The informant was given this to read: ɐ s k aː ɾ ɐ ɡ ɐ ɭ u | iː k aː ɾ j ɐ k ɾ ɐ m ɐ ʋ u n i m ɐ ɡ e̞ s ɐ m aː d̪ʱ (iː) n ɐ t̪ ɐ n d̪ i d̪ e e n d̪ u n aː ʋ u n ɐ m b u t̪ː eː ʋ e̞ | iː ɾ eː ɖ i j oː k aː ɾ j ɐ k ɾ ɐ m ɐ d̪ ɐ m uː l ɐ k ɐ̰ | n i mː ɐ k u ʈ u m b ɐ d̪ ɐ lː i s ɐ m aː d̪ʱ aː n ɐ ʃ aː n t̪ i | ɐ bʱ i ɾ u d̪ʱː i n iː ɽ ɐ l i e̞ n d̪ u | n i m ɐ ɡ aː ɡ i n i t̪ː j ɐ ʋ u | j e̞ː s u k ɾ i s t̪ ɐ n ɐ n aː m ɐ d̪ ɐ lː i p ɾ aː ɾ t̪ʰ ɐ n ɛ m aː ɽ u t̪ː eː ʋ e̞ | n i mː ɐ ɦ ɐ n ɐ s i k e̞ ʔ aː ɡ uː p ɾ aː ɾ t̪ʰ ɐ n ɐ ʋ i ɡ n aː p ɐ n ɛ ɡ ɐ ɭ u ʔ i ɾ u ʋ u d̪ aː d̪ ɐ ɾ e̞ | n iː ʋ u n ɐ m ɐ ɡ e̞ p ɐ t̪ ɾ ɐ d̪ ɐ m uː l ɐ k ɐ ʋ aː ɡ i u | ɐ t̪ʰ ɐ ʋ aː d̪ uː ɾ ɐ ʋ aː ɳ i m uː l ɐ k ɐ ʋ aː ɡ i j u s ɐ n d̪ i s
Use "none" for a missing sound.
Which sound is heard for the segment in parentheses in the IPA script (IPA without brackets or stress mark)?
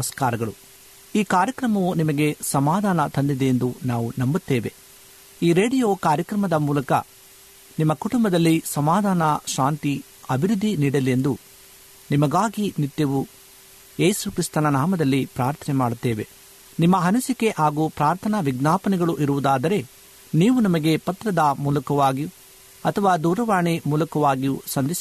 aː